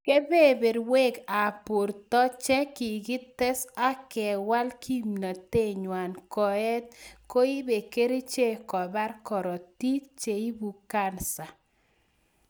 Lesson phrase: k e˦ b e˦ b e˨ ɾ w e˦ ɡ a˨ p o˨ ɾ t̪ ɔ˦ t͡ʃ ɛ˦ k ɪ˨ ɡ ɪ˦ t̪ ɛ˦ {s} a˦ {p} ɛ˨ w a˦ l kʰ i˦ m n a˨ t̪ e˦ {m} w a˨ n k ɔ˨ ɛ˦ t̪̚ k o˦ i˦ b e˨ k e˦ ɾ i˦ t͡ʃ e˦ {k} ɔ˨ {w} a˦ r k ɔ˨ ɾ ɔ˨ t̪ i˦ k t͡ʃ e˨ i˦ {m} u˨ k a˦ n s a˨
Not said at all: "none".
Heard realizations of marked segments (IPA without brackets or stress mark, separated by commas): s, k, ɲ, k, b, b